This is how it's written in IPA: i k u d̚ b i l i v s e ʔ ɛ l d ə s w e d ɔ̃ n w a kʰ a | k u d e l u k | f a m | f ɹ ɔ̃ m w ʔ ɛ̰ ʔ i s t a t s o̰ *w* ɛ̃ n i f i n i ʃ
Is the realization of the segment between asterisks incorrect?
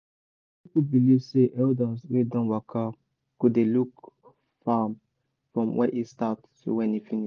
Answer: no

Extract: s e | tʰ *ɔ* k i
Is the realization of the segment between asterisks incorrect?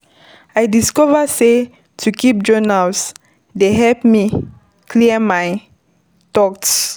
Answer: yes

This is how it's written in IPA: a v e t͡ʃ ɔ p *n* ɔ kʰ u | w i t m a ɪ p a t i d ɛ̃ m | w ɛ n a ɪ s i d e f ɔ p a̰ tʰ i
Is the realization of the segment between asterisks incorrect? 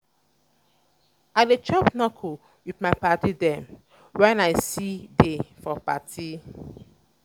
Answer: no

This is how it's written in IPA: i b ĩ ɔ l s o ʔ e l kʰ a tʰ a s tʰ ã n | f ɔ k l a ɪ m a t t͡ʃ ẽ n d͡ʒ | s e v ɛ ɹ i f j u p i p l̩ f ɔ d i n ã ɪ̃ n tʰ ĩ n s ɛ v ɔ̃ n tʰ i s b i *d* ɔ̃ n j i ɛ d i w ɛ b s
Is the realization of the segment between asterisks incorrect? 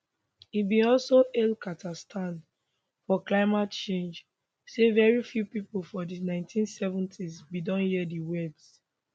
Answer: no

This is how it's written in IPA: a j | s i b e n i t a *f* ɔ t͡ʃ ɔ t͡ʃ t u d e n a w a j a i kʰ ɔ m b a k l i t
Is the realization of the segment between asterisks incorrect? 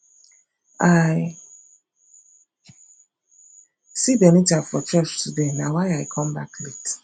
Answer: no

